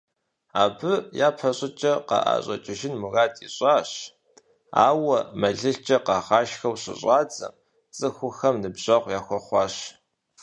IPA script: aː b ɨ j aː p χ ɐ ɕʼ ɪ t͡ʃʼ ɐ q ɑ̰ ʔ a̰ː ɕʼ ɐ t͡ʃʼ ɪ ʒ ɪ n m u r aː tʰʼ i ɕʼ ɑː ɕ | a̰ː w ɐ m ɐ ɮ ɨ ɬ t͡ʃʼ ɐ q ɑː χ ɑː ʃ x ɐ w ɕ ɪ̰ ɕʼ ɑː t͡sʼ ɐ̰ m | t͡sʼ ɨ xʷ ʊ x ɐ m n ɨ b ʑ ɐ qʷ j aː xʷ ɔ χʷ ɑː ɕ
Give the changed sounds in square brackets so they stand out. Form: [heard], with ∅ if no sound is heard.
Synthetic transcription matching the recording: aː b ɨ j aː p [ħ] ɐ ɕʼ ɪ t͡ʃʼ ɐ q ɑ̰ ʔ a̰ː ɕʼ ɐ t͡ʃʼ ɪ ʒ ɪ n m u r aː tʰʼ i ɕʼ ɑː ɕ | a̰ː w ɐ m ɐ ɮ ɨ ɬ t͡ʃʼ ɐ q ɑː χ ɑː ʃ x ɐ w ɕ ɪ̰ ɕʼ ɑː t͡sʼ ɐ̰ m | t͡sʼ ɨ xʷ ʊ x ɐ m n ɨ b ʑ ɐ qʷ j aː xʷ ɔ χʷ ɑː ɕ